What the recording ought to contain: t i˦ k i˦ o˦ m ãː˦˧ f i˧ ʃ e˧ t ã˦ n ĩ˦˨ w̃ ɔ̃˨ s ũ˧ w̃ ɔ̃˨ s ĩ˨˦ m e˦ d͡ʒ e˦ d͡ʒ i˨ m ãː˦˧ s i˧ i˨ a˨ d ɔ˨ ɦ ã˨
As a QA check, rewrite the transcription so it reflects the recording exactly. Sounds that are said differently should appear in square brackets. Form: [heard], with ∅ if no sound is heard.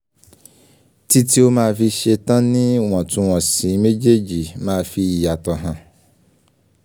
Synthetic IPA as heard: t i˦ [t] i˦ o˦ m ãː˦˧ f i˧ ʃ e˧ t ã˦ n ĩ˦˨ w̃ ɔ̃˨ [t] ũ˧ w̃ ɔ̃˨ s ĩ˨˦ m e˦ d͡ʒ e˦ d͡ʒ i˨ m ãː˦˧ [f] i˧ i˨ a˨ [t] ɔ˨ ɦ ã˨